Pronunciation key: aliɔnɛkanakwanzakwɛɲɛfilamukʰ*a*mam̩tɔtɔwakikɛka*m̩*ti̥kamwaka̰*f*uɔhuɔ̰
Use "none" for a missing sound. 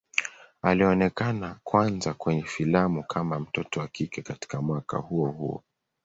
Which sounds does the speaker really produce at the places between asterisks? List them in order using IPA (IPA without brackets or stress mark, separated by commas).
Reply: a, none, h